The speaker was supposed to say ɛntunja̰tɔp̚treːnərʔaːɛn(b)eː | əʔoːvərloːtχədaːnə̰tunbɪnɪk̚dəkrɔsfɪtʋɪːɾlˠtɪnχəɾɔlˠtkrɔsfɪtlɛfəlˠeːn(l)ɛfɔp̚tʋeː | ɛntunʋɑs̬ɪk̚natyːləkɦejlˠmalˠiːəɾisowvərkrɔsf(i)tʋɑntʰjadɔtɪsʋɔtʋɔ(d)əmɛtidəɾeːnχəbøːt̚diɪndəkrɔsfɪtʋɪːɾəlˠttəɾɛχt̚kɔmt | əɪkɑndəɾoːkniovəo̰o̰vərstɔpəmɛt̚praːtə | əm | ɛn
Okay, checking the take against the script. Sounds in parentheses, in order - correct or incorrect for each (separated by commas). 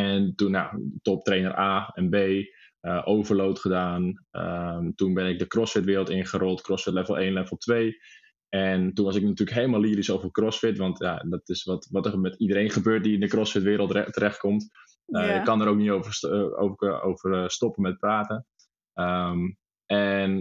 correct, correct, incorrect, incorrect